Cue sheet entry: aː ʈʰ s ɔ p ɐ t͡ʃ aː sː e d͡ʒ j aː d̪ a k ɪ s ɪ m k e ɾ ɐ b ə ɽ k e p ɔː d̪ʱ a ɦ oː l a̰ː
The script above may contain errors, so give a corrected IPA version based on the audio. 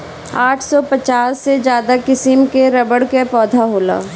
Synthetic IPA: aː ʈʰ s ɔ p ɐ t͡ʃ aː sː e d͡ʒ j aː d̪ a k ɪ s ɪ m k e ɾ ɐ b ə ɽ k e p ɔː d̪ʱ a ɦ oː l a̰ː